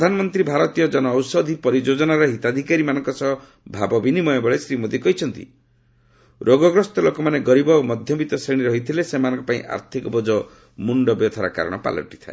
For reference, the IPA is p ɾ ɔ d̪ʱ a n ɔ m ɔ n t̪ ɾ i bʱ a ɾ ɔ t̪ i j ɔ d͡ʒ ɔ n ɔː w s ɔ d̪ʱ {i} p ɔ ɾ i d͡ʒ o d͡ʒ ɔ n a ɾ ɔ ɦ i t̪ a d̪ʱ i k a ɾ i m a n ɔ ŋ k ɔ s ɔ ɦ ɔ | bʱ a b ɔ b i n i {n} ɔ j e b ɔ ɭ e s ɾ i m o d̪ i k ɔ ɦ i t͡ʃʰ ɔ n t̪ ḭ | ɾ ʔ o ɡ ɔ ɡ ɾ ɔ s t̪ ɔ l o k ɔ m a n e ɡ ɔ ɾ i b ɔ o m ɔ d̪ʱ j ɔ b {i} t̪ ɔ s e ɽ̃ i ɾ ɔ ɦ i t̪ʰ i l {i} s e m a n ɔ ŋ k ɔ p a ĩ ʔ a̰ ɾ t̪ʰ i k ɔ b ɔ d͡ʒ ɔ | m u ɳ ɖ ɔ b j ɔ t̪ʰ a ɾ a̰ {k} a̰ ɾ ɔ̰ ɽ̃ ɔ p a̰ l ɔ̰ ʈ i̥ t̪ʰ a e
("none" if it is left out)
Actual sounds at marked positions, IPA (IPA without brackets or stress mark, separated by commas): i, m, i, e, k